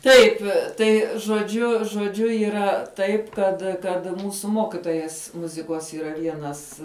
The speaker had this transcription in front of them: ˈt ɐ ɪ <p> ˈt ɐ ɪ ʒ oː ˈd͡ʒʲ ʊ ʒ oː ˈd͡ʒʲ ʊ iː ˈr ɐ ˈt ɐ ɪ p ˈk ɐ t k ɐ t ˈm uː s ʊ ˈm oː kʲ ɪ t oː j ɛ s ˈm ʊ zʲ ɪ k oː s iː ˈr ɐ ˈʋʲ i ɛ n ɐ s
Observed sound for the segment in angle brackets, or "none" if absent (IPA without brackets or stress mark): p